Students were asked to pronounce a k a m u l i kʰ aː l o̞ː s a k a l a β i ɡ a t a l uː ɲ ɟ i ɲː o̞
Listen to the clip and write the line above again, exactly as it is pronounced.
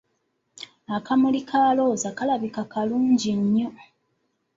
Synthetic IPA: a k a m u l i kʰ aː l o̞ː z a k a l a β i k a k a l uː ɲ ɟ i ɲː o̞